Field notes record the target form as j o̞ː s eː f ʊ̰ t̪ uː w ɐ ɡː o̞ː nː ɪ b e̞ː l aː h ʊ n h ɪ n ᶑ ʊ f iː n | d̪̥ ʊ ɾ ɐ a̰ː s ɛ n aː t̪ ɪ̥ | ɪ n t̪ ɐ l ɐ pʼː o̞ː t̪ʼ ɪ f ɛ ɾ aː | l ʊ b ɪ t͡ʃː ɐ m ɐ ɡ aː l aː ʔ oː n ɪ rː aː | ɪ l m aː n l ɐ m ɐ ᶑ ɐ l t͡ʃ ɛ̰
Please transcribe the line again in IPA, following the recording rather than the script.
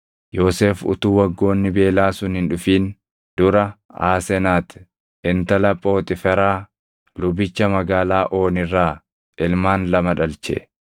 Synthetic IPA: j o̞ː s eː f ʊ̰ t̪ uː w ɐ ɡː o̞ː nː ɪ b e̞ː l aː s ʊ n h ɪ n ᶑ ʊ f iː n | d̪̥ ʊ ɾ ɐ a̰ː s ɛ n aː t̪ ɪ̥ | ɪ n t̪ ɐ l ɐ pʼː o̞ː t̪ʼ ɪ f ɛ ɾ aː | l ʊ b ɪ t͡ʃː ɐ m ɐ ɡ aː l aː ʔ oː n ɪ rː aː | ɪ l m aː n l ɐ m ɐ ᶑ ɐ l t͡ʃ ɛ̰